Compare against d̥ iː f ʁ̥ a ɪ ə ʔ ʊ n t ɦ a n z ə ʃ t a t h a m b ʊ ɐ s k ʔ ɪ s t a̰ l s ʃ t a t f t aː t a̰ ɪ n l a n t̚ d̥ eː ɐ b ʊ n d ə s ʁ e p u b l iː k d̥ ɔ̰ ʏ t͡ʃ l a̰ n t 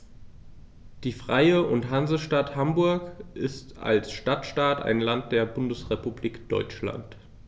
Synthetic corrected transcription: d̥ iː f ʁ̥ a ɪ ə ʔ ʊ n t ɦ a n z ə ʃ t a t h a m b ʊ ɐ k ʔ ɪ s t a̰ l s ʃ t a t ʃ t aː t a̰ ɪ n l a n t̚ d̥ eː ɐ b ʊ n d ə s ʁ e p u b l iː k d̥ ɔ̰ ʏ t͡ʃ l a̰ n t